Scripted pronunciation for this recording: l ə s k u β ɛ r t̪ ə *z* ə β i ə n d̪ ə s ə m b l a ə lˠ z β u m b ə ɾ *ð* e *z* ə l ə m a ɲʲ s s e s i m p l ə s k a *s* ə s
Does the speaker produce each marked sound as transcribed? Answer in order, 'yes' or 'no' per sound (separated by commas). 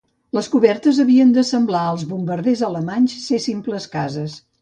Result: yes, yes, yes, no